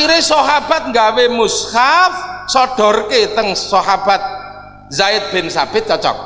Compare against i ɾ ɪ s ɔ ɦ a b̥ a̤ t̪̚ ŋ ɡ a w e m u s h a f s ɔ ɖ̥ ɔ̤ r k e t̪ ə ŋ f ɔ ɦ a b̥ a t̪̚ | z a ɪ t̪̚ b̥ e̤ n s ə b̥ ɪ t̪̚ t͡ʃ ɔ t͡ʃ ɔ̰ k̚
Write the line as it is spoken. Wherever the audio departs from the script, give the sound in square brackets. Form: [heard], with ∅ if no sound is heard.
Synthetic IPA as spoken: i ɾ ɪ s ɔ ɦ a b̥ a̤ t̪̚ ŋ ɡ a w e m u s h a f s ɔ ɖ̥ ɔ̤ r k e t̪ ə ŋ [s] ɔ ɦ a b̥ a t̪̚ | z a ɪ t̪̚ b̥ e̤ n s [a] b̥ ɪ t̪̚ t͡ʃ ɔ t͡ʃ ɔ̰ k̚

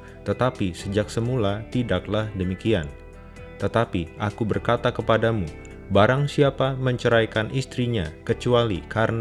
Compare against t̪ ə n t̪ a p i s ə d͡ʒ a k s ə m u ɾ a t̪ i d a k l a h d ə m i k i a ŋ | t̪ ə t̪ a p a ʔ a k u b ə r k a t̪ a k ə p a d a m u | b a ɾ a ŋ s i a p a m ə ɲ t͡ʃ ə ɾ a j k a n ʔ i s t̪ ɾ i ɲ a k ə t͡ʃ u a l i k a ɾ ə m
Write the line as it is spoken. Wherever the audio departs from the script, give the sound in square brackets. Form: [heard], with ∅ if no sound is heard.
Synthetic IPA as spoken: t̪ ə [∅] t̪ a p i s ə d͡ʒ a k s ə m u [l] a t̪ i d a k l a h d ə m i k i a [n] | t̪ ə t̪ a p [i] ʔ a k u b ə r k a t̪ a k ə p a d a m u | b a ɾ a ŋ s i a p a m ə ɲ t͡ʃ ə ɾ a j k a n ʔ i s t̪ ɾ i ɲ a k ə t͡ʃ u a l i k a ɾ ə [n]

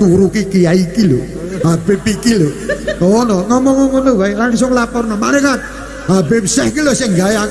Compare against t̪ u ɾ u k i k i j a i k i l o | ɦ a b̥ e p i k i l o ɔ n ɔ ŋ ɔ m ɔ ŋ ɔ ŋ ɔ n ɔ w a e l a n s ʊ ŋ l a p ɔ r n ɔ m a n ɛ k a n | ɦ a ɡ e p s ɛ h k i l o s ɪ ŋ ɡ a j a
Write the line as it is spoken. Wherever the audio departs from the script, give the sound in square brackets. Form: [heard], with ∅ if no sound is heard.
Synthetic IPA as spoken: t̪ u ɾ u k i k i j a i k i l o | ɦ a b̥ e p i k i l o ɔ n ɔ ŋ ɔ m ɔ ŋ ɔ ŋ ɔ n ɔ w a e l a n s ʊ ŋ l a p ɔ r n ɔ m a n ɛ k a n | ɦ a [b] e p s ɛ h k i l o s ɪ ŋ ɡ a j a

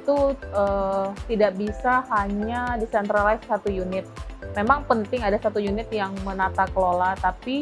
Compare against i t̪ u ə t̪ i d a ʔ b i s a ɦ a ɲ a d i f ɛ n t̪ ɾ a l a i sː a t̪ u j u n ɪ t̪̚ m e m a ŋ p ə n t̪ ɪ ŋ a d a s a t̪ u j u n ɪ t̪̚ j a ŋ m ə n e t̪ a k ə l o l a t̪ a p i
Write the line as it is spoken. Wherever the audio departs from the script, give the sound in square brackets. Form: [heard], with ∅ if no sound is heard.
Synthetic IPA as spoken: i t̪ u ə t̪ i d a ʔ b i s a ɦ a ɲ a d i [s] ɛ n t̪ ɾ a l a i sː a t̪ u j u n ɪ t̪̚ m e m a ŋ p ə n t̪ ɪ ŋ a d a s a t̪ u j u n ɪ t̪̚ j a ŋ m ə n [a] t̪ a k ə l o l a t̪ a p i

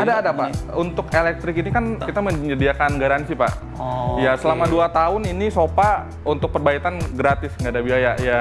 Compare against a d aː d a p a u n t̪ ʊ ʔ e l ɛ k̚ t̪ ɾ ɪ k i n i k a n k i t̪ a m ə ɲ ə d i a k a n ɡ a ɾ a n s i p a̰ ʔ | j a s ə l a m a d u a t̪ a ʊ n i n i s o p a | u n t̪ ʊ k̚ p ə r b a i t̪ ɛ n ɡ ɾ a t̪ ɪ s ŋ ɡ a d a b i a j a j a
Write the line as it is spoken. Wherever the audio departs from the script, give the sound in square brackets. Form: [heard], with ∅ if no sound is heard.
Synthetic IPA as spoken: a d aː d a p a u n t̪ ʊ [k] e l ɛ k̚ t̪ ɾ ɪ k i n i k a n k i t̪ a m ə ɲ ə d i a k a n ɡ a ɾ a n s i p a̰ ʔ | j a s ə l a m a d u a t̪ a ʊ n i n i s o p a | u n t̪ ʊ k̚ p ə r b a i t̪ [a] n ɡ ɾ a t̪ ɪ s ŋ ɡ a d a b i a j a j a

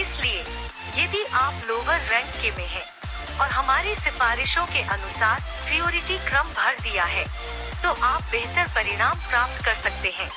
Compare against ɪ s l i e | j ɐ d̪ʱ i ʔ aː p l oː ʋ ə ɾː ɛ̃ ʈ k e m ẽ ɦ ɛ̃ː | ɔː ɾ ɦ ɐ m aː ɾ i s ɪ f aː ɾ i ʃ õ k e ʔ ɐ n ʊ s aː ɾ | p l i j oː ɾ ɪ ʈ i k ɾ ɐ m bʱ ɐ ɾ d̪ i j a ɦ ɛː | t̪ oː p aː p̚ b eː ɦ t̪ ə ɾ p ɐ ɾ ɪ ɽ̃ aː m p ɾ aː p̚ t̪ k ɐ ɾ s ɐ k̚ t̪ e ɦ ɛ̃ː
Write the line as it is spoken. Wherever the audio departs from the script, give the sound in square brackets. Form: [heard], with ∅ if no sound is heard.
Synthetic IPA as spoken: ɪ s l i e | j ɐ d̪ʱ i ʔ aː p l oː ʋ ə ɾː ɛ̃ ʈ k e m ẽ ɦ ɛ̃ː | ɔː ɾ ɦ ɐ m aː ɾ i s ɪ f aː ɾ [ɪ] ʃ õ k e ʔ ɐ n ʊ s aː ɾ | p [ɾ] i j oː ɾ ɪ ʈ i k ɾ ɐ m bʱ ɐ ɾ d̪ i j a ɦ ɛː | t̪ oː [ʔ] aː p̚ b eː ɦ t̪ ə ɾ p ɐ ɾ ɪ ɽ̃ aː m p ɾ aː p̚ t̪ k ɐ ɾ s ɐ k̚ t̪ e ɦ ɛ̃ː

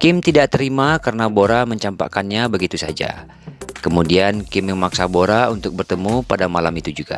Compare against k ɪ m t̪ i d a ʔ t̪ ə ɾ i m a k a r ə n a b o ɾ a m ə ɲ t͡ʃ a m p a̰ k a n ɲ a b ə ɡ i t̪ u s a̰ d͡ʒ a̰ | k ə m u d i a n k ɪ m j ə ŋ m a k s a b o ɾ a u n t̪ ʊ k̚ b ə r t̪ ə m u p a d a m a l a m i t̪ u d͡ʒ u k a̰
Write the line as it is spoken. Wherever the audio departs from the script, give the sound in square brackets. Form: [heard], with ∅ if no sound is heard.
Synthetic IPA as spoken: k ɪ m t̪ i d a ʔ t̪ ə ɾ i m a k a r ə n a b o ɾ a m ə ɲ t͡ʃ a m p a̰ k a n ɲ a b ə ɡ i t̪ u s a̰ d͡ʒ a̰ | k ə m u d i a n k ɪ m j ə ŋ m a k s a b o ɾ a u n t̪ ʊ k̚ b ə r t̪ ə m u p a d a m a l a m i t̪ u d͡ʒ u [ɡ] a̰

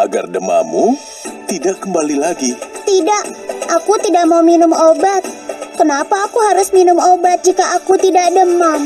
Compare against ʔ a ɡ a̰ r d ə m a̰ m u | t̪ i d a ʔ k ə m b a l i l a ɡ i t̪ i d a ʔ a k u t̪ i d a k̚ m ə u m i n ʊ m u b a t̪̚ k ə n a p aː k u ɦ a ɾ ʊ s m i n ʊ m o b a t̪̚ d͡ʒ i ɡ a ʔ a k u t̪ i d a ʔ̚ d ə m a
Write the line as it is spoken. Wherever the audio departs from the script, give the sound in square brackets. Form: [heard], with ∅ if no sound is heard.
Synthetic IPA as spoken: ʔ a ɡ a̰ r d ə m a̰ m u | t̪ i d a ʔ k ə m b a l i l a ɡ i t̪ i d a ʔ a k u t̪ i d a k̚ m [a] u m i n ʊ m [o] b a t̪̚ k ə n a p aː k u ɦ a ɾ ʊ s m i n ʊ m o b a t̪̚ d͡ʒ i [k] a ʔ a k u t̪ i d a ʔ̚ d ə m a

